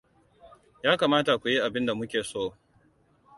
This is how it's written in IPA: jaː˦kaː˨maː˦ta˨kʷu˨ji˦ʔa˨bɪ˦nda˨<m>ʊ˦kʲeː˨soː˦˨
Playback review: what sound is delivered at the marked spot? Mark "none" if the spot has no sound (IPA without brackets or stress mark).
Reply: m